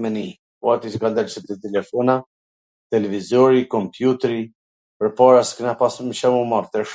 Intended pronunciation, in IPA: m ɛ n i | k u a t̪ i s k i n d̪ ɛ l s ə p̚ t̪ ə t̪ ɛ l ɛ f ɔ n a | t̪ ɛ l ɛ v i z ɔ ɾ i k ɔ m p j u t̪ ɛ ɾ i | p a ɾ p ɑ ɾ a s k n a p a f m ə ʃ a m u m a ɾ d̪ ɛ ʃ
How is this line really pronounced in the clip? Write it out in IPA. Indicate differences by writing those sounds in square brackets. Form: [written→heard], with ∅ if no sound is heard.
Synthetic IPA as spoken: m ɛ n i | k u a t̪ i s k [i→a] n d̪ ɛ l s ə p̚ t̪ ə t̪ ɛ l ɛ f ɔ n a | t̪ ɛ l ɛ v i z ɔ ɾ i k ɔ m p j u t̪ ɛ ɾ i | p [a→ə] ɾ p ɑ ɾ a s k n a p a [f→s] m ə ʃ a m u m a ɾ [d̪→t̪] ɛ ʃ